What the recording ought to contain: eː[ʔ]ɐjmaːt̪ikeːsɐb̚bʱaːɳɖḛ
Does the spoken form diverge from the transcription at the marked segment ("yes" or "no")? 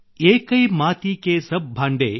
yes